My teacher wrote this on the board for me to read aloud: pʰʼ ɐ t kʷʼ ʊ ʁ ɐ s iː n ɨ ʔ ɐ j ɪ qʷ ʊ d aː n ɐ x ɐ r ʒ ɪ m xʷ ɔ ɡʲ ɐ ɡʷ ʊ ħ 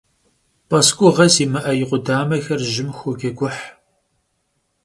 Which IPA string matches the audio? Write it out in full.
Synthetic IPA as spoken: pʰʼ ɐ s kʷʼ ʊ ʁ ɐ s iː m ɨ ʔ ɐ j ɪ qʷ ʊ d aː m ɐ x ɐ r ʒ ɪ m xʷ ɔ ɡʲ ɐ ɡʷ ʊ ħ